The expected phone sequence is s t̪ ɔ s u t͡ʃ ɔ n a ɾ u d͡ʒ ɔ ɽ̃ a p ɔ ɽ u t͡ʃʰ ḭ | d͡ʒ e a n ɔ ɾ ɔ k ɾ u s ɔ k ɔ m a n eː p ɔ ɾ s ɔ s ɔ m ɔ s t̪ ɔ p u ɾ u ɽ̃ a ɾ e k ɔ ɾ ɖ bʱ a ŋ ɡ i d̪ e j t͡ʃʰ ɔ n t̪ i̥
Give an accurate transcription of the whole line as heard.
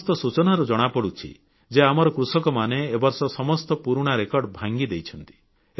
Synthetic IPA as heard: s t̪ ɔ s u t͡ʃ ɔ n a ɾ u d͡ʒ ɔ ɽ̃ a p ɔ ɽ u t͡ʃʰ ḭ | d͡ʒ e a m ɔ ɾ ɔ k ɾ u s ɔ k ɔ m a n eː b ɔ ɾ s ɔ s ɔ m ɔ s t̪ ɔ p u ɾ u ɽ̃ a ɾ e k ɔ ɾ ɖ bʱ a ŋ ɡ i d̪ e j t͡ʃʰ ɔ n t̪ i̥